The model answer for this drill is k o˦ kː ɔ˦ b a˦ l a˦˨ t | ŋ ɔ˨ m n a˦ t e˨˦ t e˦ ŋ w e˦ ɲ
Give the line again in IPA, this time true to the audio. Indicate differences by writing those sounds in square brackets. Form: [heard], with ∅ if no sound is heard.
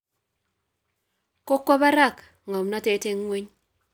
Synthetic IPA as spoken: k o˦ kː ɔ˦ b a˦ [ɾ] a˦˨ [k] | ŋ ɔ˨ m n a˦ t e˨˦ t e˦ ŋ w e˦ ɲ

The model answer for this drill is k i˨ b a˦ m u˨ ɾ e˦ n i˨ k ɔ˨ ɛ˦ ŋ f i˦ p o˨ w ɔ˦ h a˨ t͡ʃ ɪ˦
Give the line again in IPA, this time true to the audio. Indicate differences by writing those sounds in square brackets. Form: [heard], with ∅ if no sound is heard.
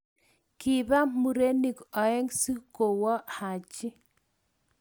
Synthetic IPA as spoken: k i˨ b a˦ m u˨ ɾ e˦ n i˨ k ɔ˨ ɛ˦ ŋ [s] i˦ [k] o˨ w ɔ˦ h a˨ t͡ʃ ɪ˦

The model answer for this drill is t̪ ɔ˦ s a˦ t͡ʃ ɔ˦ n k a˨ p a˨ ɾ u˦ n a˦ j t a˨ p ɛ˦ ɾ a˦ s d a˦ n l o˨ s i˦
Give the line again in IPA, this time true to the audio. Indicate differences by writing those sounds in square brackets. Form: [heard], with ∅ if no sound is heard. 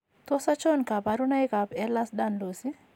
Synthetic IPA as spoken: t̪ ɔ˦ s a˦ t͡ʃ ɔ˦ n k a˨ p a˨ ɾ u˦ n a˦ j [k] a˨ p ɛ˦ [l] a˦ s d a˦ n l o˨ s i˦

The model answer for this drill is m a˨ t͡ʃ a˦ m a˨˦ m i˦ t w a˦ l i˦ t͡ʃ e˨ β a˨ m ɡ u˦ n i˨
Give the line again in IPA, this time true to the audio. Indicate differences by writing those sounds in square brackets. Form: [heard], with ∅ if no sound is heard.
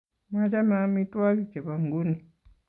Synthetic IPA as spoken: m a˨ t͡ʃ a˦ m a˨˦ m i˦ t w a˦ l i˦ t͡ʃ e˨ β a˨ [ŋ] ɡ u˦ n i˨

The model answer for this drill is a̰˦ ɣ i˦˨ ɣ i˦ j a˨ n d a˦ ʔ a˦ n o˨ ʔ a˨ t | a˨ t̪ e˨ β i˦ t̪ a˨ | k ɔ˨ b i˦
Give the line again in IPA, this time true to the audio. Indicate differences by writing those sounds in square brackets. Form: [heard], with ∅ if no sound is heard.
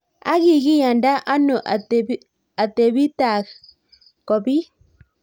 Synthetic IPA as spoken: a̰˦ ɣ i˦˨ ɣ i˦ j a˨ n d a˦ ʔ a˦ n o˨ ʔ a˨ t | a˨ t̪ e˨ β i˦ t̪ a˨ | k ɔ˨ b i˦

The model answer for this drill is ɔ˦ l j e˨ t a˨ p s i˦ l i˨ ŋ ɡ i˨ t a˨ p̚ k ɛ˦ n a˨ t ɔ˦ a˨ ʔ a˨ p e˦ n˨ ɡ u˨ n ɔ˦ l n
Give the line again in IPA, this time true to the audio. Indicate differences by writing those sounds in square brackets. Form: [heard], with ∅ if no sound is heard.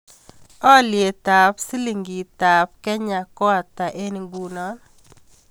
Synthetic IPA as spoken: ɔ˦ l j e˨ t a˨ p s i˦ l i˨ ŋ ɡ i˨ t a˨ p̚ k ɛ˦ [ɲ] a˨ [k] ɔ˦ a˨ [t] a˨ [ʔ] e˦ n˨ ɡ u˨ n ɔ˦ [∅] n

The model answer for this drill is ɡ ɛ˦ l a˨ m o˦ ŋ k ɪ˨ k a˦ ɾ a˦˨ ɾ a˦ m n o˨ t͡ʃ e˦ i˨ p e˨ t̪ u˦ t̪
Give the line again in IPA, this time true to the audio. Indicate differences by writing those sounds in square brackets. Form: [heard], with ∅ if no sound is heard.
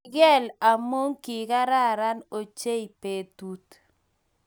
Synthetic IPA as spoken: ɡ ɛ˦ l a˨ m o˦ ŋ k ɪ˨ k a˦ ɾ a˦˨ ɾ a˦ [∅] n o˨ t͡ʃ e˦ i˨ p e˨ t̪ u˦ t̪

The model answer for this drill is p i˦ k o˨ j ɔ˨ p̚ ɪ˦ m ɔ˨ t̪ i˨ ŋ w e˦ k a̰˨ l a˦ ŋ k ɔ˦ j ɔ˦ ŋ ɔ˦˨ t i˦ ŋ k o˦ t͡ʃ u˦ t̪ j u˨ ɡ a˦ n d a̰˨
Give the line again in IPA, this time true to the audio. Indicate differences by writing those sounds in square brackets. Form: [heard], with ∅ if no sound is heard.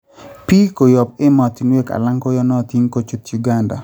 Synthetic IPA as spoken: p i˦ k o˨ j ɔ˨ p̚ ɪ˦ m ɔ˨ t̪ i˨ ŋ w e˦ k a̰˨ l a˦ ŋ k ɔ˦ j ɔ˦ [n] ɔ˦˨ t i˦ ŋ k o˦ t͡ʃ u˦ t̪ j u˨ ɡ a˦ n d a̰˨

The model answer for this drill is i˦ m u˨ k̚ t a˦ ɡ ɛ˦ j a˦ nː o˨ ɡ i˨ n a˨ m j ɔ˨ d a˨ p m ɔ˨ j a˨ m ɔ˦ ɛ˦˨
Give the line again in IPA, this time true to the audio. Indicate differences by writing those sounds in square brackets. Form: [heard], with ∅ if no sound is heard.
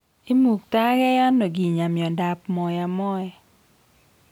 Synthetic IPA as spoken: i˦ m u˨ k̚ t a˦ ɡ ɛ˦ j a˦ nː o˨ ɡ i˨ [ɲ] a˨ m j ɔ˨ d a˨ p m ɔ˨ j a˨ m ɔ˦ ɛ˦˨

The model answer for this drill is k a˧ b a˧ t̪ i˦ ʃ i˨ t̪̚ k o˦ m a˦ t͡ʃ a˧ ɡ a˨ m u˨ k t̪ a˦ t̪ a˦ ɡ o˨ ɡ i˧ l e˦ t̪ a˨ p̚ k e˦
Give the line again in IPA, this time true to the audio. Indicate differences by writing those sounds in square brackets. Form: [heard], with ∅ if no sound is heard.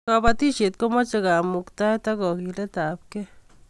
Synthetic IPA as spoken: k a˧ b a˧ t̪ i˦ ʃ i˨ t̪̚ k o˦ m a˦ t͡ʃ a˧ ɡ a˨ m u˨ k t̪ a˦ t̪ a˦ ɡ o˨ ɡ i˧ l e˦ t̪ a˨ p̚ k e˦

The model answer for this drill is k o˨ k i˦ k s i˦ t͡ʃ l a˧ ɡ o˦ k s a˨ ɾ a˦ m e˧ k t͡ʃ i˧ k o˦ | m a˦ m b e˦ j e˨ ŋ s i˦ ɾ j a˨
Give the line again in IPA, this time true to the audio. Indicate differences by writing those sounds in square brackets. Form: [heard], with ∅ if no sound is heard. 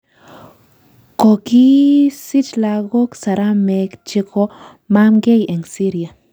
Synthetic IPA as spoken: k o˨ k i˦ [∅] s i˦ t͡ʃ l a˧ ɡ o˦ k s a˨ ɾ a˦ m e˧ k t͡ʃ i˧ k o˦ | m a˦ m [ɡ] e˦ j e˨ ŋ s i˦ ɾ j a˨

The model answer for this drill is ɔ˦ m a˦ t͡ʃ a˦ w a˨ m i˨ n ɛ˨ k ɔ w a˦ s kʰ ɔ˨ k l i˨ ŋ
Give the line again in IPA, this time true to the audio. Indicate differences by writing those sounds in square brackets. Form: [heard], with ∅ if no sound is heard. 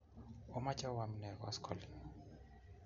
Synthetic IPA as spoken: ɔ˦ m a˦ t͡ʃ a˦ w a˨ m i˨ n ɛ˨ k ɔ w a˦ s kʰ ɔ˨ [∅] l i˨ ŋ

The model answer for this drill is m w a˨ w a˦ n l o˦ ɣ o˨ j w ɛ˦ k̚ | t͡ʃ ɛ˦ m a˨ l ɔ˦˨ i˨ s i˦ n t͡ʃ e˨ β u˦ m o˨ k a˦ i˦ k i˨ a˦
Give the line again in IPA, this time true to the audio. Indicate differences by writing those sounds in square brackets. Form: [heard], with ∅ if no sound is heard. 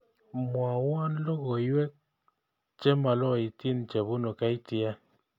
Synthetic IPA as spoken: m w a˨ w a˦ n l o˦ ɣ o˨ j w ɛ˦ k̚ | t͡ʃ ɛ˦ m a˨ l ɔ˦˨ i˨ [t] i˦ n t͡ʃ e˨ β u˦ [n] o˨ k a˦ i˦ [t] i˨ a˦

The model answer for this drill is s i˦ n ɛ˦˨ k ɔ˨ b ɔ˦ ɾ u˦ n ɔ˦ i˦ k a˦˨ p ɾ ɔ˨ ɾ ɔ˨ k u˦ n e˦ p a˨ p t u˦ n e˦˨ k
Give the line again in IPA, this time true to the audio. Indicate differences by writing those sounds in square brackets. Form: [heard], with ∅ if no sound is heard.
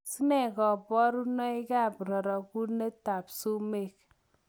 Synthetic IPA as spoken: s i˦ n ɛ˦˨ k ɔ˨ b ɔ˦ ɾ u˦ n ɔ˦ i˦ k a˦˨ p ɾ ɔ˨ ɾ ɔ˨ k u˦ n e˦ [t] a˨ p [s] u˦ [m] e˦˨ k

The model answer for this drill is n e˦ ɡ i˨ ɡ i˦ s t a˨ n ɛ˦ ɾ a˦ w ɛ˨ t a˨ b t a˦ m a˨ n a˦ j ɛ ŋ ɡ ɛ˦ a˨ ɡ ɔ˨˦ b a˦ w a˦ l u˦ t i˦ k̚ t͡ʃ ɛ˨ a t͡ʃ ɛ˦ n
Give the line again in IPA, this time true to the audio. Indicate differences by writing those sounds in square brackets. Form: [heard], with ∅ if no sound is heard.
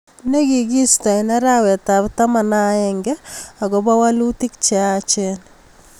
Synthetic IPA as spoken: n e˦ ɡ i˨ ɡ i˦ s t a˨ n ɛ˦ ɾ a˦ w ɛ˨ t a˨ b t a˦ m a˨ n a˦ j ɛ ŋ ɡ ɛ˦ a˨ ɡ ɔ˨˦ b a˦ w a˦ l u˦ t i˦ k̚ t͡ʃ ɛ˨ a t͡ʃ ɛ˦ n

